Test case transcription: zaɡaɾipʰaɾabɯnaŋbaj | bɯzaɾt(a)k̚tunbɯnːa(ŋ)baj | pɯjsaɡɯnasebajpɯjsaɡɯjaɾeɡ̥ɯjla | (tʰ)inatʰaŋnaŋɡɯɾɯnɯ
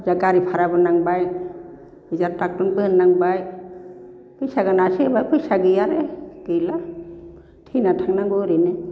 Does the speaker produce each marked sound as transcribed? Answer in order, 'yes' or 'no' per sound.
yes, yes, yes

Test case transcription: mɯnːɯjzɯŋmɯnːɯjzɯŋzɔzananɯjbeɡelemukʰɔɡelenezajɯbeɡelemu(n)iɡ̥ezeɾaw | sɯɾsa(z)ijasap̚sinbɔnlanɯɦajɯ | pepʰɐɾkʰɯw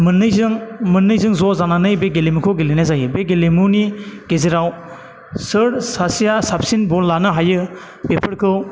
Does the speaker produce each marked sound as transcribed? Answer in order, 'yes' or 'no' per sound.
yes, no

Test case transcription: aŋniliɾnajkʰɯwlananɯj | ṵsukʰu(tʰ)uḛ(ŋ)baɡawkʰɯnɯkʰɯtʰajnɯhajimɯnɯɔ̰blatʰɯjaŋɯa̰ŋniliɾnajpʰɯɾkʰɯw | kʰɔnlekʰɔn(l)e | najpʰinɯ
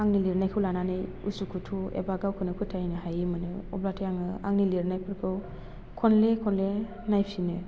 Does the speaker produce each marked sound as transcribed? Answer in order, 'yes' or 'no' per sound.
yes, no, yes

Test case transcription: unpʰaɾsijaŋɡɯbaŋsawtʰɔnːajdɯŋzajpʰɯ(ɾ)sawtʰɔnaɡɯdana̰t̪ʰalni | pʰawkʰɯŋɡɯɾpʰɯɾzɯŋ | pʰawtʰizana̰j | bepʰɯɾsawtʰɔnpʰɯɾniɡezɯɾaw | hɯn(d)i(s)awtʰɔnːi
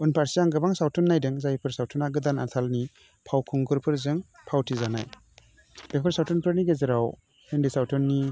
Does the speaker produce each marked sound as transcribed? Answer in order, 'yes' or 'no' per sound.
yes, yes, yes

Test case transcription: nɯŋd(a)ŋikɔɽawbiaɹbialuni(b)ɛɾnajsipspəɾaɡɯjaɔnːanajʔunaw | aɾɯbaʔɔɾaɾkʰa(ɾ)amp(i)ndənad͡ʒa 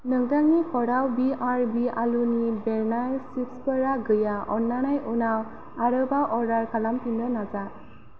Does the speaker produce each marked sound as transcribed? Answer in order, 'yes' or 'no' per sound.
yes, yes, no, yes

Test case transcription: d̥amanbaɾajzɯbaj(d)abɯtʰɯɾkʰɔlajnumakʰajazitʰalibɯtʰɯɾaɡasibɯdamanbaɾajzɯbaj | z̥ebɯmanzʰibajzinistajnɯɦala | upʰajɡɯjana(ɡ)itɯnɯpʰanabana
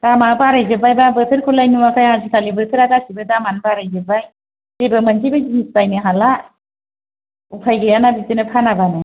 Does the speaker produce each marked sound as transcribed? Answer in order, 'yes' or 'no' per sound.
no, no

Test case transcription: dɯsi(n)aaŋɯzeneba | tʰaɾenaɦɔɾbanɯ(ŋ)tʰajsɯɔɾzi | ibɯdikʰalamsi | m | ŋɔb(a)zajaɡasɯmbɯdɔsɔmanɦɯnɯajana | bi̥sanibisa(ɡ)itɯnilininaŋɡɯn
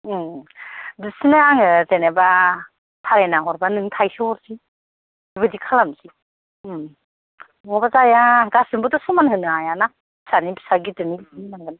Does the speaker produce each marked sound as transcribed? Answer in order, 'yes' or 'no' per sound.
yes, yes, yes, yes

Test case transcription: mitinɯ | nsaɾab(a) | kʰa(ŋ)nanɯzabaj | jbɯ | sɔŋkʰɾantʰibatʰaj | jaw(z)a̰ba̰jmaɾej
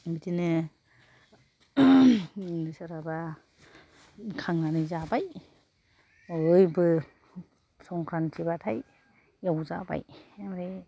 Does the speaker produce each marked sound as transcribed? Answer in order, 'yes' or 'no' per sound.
yes, yes, yes

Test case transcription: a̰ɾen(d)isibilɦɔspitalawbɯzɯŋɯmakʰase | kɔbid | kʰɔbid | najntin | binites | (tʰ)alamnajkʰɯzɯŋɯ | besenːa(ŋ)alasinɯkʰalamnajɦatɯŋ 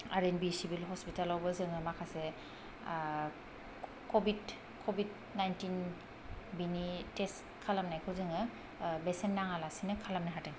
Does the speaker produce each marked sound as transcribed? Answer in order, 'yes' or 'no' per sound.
no, no, yes

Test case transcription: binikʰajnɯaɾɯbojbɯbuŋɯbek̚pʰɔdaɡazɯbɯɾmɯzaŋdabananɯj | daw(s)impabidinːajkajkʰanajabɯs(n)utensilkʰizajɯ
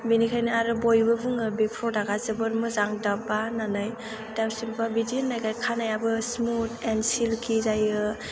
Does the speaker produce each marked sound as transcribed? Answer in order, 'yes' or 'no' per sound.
yes, no

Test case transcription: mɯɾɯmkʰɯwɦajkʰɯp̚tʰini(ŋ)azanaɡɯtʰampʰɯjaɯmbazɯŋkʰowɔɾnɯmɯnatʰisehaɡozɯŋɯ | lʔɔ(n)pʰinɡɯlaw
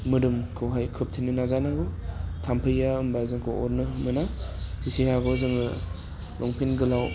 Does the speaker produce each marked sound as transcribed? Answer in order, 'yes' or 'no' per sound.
no, no

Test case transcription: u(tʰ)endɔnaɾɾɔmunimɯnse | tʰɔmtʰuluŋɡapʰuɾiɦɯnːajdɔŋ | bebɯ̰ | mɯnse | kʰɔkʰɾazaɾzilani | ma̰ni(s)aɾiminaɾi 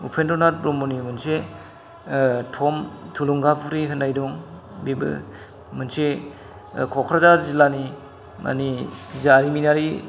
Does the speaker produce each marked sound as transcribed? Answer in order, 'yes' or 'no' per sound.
no, no

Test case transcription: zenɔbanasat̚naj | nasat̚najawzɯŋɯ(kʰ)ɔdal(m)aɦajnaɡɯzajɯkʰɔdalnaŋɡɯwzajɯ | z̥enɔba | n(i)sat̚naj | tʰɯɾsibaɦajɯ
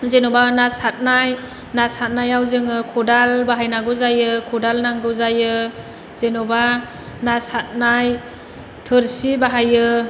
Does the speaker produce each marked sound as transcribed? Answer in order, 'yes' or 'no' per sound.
yes, no, no

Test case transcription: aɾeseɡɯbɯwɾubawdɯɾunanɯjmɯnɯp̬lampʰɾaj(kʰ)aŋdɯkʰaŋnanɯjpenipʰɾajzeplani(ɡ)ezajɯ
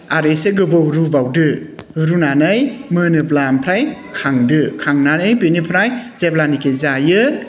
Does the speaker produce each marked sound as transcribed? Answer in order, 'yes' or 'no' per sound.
yes, no

